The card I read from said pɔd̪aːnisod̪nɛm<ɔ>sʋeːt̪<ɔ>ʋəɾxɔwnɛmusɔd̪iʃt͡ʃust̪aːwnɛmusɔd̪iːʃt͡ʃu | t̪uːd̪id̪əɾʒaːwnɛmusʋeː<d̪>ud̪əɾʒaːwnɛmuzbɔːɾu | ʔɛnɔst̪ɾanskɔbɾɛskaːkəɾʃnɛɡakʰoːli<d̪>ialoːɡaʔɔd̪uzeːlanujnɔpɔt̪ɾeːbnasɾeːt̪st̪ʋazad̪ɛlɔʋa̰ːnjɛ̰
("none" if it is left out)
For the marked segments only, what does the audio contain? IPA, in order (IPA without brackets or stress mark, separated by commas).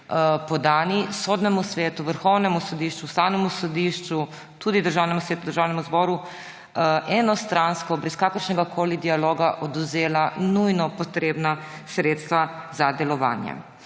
u, u, t̪, d̪